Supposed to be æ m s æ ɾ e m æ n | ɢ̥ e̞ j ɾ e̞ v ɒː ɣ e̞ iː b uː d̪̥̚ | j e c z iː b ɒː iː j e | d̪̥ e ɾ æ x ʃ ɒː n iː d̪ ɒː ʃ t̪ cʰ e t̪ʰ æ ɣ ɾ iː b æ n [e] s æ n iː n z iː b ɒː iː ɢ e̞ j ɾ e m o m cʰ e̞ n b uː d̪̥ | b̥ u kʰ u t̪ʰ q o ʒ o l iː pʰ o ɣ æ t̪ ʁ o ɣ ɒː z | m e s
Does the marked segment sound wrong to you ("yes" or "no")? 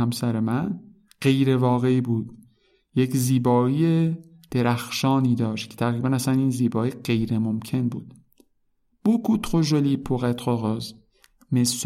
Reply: yes